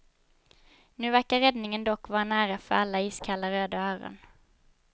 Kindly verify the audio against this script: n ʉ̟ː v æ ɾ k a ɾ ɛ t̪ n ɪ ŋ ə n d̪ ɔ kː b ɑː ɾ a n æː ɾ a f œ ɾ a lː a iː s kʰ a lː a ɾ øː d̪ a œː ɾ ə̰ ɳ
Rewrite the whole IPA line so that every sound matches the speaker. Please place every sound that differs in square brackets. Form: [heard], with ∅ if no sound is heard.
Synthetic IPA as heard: n ʉ̟ː v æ ɾ k a ɾ ɛ [d̪] n ɪ ŋ ə n d̪ ɔ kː [v] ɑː ɾ a n æː ɾ a f œ ɾ a lː a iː s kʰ a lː a ɾ øː d̪ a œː ɾ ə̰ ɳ